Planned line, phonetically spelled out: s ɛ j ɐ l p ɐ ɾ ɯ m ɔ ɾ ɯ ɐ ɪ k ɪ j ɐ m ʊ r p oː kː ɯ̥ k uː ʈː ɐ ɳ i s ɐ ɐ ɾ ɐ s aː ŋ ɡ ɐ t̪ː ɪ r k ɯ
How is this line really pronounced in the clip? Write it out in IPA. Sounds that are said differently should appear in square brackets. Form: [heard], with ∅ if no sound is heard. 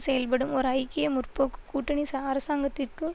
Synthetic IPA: s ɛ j ɐ l p ɐ [ɽ] ɯ m ɔ ɾ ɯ ɐ ɪ k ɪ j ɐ m ʊ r p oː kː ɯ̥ k uː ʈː ɐ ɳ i s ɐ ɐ ɾ ɐ s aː ŋ ɡ ɐ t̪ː ɪ r k ɯ